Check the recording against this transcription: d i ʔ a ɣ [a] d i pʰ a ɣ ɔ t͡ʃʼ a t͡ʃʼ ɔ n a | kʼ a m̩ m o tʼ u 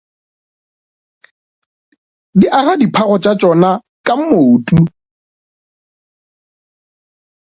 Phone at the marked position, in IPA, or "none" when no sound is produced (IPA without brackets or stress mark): a